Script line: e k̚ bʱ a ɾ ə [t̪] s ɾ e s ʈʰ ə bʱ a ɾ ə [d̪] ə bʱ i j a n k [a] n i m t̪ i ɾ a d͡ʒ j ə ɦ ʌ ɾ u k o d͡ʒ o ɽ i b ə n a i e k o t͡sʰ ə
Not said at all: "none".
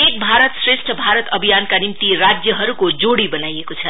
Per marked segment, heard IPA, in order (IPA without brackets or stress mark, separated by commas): t̪, t̪, a